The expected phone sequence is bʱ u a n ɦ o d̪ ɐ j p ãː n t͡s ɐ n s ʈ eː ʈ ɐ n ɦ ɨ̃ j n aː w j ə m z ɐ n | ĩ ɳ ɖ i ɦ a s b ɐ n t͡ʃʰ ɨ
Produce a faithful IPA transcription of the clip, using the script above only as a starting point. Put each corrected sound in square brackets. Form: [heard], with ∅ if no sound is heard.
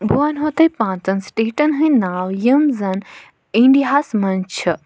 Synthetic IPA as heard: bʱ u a n ɦ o [t̪] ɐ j p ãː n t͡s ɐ n s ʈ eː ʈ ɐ n ɦ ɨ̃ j n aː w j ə m z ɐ n | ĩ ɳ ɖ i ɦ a s [m] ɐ n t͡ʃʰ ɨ